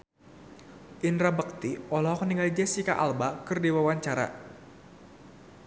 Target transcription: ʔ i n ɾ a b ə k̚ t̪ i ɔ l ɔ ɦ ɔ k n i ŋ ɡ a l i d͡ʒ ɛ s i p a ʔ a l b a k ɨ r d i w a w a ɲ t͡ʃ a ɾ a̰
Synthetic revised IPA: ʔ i n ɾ a b ə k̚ t̪ i ɔ l ɔ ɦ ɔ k n i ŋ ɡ a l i d͡ʒ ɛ s i k a ʔ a l b a k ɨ r d i w a w a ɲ t͡ʃ a ɾ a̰